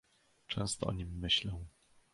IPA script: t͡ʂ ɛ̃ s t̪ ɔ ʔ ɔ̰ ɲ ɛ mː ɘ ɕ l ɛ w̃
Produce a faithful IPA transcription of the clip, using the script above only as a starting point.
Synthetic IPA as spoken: t͡ʂ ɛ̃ s t̪ ɔ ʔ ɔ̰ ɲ i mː ɘ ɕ l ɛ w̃